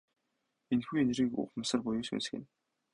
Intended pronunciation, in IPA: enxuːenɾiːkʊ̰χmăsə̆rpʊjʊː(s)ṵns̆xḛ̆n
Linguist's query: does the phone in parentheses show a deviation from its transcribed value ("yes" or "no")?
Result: no